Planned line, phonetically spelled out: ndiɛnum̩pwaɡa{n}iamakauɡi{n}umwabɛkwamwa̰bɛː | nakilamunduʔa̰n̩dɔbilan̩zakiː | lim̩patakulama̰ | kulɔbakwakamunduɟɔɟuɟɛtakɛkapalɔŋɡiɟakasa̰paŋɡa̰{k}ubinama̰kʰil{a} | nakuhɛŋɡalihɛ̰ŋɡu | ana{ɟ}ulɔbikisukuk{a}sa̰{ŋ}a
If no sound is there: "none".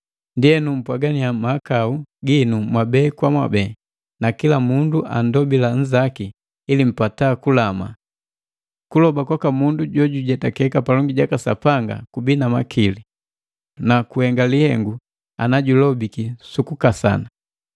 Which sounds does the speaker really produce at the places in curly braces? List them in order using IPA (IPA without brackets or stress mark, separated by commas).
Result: n, n, k, i, ɟ, a, n